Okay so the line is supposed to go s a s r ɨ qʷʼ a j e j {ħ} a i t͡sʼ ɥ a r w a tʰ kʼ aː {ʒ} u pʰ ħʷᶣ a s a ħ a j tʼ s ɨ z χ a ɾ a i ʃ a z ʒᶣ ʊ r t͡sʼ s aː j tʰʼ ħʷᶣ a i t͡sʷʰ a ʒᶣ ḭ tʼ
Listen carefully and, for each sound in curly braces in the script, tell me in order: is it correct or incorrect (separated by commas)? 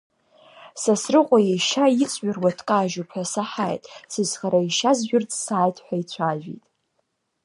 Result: incorrect, correct